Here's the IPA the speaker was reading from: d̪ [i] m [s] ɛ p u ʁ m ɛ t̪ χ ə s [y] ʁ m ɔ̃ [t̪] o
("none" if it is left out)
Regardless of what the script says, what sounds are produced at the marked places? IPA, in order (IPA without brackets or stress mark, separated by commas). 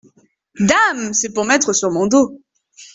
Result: a, s, y, d̪